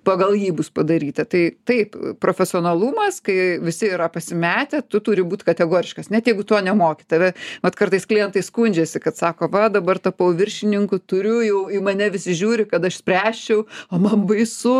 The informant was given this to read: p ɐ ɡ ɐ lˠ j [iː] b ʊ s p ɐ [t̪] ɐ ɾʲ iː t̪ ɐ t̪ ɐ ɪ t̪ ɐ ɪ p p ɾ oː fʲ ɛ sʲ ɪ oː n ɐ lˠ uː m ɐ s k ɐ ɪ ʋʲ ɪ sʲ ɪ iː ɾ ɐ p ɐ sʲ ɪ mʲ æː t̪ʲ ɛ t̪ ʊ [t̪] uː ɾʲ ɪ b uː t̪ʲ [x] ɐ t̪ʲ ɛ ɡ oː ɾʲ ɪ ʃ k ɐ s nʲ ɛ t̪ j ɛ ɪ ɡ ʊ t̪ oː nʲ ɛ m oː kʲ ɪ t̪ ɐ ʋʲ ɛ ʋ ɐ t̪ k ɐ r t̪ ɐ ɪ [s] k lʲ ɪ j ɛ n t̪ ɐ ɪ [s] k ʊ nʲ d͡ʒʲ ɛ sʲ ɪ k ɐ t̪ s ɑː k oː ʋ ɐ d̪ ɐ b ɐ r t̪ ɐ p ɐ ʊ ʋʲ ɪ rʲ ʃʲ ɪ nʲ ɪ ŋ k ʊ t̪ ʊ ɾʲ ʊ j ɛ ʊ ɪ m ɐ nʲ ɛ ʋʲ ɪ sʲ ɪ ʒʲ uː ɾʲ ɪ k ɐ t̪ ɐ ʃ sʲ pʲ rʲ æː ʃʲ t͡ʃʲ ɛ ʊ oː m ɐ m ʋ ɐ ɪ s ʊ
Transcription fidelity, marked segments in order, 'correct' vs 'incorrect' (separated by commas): correct, incorrect, correct, incorrect, correct, correct